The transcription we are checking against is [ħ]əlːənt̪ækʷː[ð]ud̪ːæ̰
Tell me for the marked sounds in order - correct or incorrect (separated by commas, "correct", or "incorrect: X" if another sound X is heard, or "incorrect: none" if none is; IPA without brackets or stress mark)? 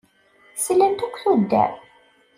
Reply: incorrect: s, incorrect: θ